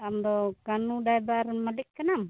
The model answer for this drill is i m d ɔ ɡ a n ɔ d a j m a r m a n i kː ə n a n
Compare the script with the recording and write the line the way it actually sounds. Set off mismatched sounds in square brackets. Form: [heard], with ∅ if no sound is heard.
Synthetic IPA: [a] m d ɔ [k] a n [u] d a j [b] a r m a [d] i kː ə n a [m]

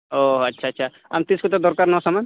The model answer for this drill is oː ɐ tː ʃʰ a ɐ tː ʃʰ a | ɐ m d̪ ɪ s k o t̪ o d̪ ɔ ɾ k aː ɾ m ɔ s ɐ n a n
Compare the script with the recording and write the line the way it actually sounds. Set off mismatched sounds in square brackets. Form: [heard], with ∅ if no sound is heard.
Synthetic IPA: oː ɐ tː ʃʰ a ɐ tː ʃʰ a | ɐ m [t̪] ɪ s k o t̪ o d̪ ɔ ɾ k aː ɾ [n] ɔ s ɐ [m] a n

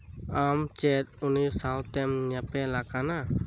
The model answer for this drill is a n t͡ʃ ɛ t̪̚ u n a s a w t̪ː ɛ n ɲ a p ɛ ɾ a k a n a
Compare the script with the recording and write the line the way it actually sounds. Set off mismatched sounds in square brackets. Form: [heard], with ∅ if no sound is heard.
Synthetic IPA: a [m] t͡ʃ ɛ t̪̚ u n [i] s a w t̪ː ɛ [m] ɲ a p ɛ [l] a k a n a

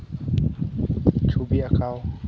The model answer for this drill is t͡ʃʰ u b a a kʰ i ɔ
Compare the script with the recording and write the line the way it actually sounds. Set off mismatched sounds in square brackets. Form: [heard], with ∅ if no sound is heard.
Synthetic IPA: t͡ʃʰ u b [i] a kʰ [a] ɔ

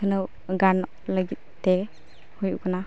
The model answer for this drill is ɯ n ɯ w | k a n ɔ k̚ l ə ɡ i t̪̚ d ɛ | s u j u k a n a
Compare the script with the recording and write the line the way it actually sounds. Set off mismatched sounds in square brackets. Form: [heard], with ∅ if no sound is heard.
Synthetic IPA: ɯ n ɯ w | [ɡ] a n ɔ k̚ l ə ɡ i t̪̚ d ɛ | [h] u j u k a n a

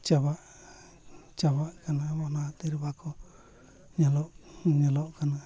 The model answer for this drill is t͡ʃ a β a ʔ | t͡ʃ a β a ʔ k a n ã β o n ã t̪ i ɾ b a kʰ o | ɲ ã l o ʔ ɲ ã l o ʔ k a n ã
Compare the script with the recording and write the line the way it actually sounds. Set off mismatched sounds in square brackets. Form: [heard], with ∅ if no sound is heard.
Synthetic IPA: t͡ʃ a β a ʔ | t͡ʃ a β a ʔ k a n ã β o n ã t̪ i ɾ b a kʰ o | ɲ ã l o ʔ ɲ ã l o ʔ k a n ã

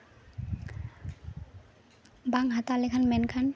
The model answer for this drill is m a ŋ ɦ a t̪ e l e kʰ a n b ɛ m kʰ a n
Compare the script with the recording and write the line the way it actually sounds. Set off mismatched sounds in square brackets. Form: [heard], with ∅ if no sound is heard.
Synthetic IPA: [b] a ŋ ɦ a t̪ [a] l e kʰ a n [m] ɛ [n] kʰ a n

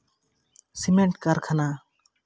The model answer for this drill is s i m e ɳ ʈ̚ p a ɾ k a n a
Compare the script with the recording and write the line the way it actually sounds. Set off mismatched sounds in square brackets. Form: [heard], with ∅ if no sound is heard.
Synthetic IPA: s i m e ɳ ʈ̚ [k] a ɾ [kʰ] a n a

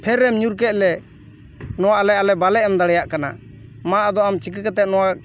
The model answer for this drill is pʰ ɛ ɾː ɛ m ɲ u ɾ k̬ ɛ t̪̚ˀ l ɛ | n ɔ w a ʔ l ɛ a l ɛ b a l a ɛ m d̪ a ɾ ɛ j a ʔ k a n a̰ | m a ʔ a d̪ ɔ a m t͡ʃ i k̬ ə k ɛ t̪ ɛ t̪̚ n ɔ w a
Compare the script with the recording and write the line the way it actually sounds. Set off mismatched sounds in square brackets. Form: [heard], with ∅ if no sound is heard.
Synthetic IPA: pʰ ɛ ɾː ɛ m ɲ u ɾ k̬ ɛ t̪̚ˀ l ɛ | n ɔ w a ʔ l ɛ a l ɛ b a l [ɛ] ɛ m d̪ a [ɽ] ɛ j a ʔ k a n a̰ | m a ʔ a d̪ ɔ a m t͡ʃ i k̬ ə k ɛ t̪ ɛ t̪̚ n ɔ w a

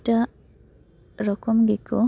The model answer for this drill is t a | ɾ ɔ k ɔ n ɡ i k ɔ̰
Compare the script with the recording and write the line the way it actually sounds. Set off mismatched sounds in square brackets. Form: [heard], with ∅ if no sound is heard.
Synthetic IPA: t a | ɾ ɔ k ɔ [m] ɡ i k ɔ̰

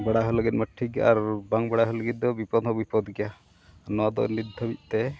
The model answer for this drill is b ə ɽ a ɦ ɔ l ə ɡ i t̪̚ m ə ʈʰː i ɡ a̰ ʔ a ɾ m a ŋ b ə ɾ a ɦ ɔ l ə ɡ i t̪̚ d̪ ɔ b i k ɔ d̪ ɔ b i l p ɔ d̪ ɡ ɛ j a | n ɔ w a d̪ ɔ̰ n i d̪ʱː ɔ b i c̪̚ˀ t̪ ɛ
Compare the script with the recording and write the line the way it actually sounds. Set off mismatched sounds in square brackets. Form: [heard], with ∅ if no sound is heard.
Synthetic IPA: b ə ɽ a ɦ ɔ l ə ɡ i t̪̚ m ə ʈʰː i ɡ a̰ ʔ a ɾ [b] a ŋ b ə [ɽ] a ɦ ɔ l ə ɡ i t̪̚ d̪ ɔ b i [p] ɔ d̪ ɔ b i [∅] p ɔ d̪ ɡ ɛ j a | n ɔ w a d̪ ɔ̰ n i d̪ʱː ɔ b i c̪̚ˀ t̪ ɛ

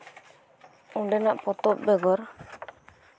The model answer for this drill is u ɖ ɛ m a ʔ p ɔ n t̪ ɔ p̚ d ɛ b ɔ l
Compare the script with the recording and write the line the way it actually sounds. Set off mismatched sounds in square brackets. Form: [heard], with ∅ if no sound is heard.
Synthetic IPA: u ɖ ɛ [n] a ʔ p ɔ [∅] t̪ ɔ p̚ [b] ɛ [ɡ] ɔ [ɾ]

